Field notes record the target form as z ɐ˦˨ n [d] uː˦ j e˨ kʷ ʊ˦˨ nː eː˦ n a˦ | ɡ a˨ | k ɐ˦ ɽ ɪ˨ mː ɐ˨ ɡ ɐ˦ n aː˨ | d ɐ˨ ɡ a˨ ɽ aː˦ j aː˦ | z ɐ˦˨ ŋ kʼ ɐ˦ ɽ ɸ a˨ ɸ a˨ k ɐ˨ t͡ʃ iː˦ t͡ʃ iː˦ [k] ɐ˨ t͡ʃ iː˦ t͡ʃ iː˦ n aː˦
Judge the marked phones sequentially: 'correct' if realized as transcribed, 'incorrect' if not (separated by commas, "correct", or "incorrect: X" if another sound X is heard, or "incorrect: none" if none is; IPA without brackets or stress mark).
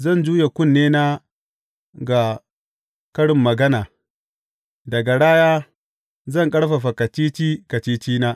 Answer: incorrect: d͡ʒ, correct